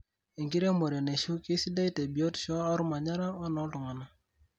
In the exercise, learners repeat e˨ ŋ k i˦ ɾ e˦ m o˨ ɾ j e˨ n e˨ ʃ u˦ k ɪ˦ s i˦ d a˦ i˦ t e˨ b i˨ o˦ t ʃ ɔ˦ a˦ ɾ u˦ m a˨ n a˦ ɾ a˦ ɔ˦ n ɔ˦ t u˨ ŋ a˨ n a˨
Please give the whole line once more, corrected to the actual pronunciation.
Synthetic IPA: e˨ ŋ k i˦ ɾ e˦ m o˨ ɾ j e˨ n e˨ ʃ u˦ k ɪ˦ s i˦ d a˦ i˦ t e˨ b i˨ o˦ t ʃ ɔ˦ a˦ ɾ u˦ m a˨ ɲ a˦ ɾ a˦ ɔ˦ n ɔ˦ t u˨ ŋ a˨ n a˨